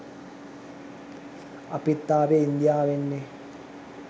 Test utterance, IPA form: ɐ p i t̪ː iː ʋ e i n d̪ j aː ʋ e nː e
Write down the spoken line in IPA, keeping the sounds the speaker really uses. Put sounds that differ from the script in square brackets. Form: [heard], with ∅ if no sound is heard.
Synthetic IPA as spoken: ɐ p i t̪ː [aː] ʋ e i n d̪ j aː ʋ e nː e